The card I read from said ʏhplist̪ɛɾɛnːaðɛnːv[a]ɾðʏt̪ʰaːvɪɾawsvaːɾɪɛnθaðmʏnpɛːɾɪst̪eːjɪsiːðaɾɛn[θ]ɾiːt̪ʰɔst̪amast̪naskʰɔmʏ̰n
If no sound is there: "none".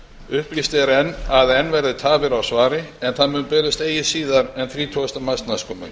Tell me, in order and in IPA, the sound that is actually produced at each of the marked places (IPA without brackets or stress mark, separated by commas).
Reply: ɛ, θ